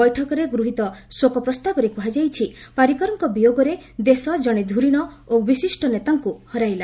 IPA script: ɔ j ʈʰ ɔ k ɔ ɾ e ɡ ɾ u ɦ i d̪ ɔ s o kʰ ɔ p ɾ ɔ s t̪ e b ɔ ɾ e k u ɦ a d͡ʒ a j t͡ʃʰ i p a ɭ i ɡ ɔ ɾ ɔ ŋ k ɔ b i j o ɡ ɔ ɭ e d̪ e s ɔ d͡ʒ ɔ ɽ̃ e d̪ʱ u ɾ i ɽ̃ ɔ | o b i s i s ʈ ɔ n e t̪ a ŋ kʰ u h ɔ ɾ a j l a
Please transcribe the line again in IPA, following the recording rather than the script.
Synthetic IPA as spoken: ɔ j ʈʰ ɔ k ɔ ɾ e ɡ ɾ u ɦ i t̪ ɔ s o k ɔ p ɾ ɔ s t̪ a b ɔ ɾ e k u ɦ a d͡ʒ a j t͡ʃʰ i p a ɾ i k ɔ ɾ ɔ ŋ k ɔ b i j o ɡ ɔ ɾ e d̪ e s ɔ d͡ʒ ɔ ɽ̃ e d̪ʱ u ɾ i ɽ̃ ɔ | o b i s i s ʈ ɔ n e t̪ a ŋ k u h ɔ ɾ a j l a